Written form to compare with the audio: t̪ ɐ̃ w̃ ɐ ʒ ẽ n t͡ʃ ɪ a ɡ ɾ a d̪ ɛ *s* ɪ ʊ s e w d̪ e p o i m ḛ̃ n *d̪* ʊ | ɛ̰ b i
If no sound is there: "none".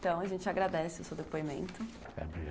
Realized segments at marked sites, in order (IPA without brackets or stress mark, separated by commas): s, t̪